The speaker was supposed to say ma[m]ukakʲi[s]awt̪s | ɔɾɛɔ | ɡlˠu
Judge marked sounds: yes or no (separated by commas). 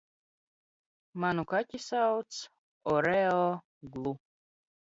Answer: no, yes